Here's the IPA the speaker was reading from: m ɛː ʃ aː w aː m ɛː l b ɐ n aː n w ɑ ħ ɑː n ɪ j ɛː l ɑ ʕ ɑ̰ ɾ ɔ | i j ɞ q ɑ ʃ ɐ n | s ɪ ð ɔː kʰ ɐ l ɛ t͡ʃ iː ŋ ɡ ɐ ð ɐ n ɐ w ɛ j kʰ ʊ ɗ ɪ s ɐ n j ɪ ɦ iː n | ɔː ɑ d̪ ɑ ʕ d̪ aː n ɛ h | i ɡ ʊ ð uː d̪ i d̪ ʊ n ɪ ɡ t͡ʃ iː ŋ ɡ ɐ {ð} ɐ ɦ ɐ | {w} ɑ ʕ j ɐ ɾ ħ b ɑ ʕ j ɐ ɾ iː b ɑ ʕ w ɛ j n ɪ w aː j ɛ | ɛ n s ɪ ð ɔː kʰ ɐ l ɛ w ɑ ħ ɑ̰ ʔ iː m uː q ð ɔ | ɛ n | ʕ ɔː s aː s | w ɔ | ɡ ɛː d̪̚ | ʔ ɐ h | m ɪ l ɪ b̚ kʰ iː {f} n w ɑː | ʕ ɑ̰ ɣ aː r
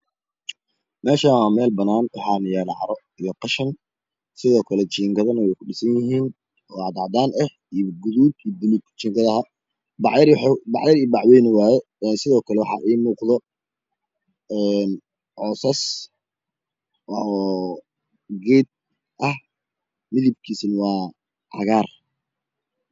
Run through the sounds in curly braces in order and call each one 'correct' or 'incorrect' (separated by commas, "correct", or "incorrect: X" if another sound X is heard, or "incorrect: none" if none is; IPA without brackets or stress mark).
correct, incorrect: b, incorrect: s